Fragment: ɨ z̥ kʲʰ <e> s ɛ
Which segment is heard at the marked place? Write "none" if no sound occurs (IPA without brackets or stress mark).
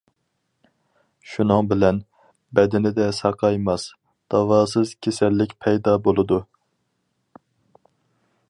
e